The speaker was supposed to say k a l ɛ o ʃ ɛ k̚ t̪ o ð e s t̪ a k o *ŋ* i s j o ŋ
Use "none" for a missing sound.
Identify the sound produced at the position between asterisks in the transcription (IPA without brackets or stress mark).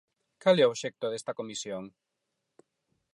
m